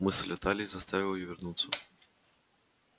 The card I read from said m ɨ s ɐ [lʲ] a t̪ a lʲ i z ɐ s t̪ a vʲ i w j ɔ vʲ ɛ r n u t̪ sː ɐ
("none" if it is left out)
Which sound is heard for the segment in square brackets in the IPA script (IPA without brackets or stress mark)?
lʲ